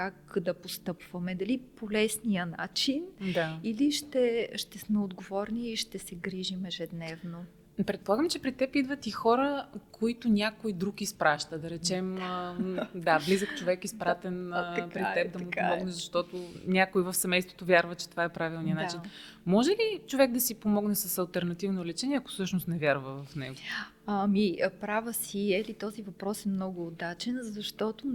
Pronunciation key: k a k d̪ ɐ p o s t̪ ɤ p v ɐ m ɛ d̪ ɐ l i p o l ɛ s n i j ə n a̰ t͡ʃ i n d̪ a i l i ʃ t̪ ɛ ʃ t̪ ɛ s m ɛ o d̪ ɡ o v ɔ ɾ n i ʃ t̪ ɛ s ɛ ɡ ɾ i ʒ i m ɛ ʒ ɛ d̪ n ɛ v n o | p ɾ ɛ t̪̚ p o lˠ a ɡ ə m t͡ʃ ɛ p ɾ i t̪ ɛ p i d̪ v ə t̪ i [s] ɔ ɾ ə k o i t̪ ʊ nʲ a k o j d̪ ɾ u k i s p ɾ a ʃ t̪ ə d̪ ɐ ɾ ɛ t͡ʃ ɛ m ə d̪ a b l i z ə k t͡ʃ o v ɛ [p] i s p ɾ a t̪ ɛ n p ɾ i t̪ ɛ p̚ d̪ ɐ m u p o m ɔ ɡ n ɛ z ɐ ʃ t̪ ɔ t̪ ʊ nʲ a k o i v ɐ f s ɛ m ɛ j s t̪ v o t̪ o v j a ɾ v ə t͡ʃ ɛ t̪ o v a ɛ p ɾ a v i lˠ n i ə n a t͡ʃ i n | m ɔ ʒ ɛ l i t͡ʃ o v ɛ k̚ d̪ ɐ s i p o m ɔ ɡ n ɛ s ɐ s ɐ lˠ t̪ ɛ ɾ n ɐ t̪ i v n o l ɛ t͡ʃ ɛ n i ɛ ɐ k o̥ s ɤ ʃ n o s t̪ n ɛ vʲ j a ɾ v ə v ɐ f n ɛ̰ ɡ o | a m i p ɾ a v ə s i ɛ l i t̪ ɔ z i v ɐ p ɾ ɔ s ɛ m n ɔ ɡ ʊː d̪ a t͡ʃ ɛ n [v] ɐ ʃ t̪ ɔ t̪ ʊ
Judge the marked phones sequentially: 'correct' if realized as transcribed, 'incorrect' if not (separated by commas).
incorrect, incorrect, incorrect